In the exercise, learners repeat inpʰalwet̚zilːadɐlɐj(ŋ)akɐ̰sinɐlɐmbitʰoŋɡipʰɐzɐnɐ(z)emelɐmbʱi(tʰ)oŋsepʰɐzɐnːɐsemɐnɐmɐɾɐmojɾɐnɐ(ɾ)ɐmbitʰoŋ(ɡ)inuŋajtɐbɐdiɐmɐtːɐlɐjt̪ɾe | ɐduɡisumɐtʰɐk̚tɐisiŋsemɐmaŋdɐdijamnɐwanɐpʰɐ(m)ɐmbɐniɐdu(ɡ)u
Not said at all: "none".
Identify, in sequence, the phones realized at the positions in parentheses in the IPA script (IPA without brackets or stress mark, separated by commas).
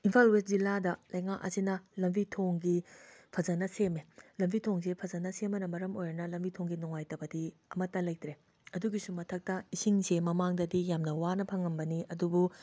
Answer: ŋ, s, tʰ, l, ɡ, ŋ, b